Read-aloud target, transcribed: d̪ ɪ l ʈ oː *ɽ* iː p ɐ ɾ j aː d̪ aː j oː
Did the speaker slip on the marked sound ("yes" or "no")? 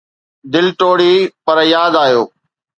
no